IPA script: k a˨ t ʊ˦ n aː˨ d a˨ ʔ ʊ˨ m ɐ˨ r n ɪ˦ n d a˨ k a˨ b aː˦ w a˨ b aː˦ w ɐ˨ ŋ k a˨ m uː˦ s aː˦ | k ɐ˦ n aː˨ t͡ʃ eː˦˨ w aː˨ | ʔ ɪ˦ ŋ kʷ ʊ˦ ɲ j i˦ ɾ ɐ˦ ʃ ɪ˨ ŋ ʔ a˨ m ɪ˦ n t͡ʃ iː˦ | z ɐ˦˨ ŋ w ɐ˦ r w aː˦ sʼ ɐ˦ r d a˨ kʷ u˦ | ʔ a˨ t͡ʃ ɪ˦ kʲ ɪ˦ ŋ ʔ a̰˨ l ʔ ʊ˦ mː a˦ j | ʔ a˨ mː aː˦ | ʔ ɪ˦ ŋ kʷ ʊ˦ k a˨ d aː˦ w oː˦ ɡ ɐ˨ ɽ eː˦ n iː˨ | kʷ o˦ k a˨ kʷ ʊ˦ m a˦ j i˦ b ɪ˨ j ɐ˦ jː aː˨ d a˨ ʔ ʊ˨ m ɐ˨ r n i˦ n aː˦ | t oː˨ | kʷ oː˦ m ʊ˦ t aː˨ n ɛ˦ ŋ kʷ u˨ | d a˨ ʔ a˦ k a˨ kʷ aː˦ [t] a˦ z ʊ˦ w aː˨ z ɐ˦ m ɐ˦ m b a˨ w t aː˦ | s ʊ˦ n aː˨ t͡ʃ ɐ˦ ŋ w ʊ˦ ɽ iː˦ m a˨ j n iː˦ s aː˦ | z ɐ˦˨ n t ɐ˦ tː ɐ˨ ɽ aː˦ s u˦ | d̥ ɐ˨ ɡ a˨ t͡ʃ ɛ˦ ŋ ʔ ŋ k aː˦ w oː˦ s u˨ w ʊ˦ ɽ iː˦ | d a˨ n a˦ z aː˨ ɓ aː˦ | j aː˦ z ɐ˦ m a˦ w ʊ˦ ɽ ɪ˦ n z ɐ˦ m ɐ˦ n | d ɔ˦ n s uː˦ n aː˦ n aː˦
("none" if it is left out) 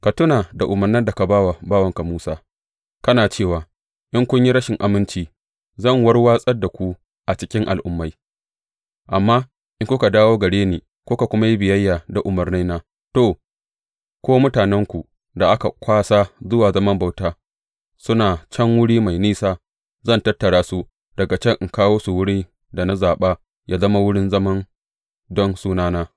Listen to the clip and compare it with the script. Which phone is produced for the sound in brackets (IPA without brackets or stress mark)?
s